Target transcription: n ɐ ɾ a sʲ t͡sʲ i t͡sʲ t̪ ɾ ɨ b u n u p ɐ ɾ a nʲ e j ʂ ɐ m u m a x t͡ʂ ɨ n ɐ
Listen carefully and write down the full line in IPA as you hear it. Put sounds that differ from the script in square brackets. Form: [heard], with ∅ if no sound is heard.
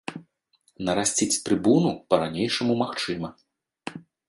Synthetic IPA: n ɐ ɾ a sʲ t͡sʲ i t͡sʲ t̪ ɾ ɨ b u n u p ɐ ɾ a nʲ e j ʂ ɐ m u m a x t͡ʂ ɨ [m] ɐ